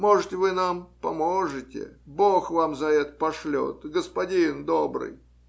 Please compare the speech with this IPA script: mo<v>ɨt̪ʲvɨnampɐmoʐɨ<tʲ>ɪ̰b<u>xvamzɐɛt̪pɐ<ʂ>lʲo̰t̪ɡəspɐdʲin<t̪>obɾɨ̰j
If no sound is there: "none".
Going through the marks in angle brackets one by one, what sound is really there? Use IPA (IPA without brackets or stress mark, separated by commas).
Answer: ʐ, tʲ, o, ʂ, d̪